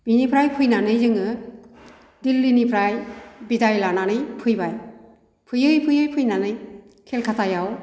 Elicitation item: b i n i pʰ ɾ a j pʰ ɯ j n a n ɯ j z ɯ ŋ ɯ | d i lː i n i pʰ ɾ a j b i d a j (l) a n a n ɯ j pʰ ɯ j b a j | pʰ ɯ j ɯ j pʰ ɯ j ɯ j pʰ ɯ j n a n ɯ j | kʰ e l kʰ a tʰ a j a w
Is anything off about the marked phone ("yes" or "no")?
no